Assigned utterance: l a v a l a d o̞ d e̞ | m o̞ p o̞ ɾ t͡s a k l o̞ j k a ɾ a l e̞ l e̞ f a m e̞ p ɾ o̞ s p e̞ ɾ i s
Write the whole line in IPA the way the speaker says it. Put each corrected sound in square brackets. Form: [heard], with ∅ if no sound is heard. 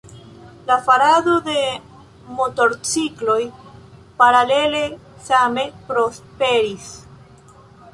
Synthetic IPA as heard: l a [f] a [ɾ] a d o̞ d e̞ | m o̞ [t] o̞ ɾ t͡s [i] k l o̞ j [p] a ɾ a l e̞ l e̞ [s] a m e̞ p ɾ o̞ s p e̞ ɾ i s